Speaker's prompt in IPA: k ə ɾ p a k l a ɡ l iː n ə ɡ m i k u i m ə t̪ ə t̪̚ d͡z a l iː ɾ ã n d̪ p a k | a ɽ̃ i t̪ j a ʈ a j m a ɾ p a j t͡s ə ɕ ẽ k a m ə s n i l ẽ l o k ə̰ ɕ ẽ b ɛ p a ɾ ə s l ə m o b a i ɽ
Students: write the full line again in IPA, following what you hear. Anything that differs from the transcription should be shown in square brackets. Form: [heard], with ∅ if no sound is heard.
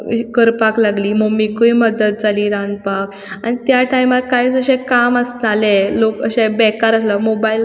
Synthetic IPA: k ə ɾ p a k l a ɡ l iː [m] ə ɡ m i k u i m ə [d̪] ə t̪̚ d͡z a l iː ɾ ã n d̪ p a k | a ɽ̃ i t̪ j a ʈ a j m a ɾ [k] a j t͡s ə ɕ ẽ k a m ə s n [a] l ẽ l o k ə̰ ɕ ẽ b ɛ [k] a ɾ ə s l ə m o b a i [l]